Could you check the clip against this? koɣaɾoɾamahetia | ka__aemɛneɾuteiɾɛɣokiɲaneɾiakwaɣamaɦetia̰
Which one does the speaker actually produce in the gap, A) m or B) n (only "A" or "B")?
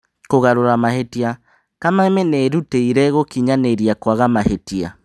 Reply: A